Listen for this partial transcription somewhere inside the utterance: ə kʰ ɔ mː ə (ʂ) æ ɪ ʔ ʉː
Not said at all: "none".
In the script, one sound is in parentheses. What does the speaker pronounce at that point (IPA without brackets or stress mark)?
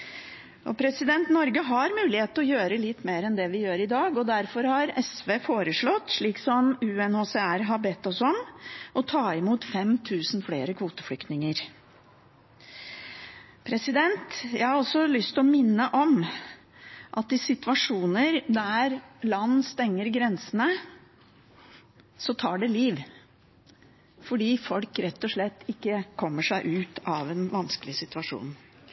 ʂ